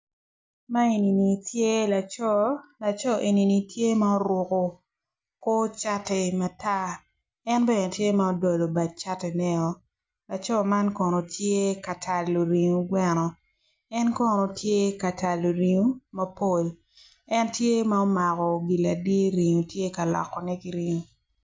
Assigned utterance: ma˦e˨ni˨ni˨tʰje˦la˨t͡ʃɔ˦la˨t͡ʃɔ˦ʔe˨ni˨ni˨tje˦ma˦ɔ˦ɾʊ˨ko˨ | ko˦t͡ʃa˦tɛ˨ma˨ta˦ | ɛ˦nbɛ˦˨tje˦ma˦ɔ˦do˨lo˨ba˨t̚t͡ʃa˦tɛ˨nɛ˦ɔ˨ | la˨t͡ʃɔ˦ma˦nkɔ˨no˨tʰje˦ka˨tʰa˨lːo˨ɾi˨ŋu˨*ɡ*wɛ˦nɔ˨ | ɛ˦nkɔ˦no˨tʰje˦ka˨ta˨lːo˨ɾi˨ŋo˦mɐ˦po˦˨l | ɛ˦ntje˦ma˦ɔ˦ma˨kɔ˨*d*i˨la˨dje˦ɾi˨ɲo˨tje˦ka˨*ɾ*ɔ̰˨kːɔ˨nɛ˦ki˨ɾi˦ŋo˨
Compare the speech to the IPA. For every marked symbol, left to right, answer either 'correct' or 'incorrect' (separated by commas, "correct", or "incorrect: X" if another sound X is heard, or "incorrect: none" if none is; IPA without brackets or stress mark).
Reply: correct, incorrect: ɡ, incorrect: l